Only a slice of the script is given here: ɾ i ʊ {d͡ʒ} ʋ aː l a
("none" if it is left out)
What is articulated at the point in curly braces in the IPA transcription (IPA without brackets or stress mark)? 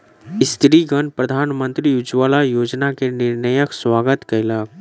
d͡ʒ